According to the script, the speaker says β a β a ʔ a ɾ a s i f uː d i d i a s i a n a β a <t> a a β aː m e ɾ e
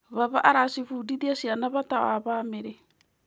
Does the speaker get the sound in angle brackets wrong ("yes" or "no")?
no